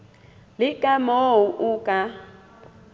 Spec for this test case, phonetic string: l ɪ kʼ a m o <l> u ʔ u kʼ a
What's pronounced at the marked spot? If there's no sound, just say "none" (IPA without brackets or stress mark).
none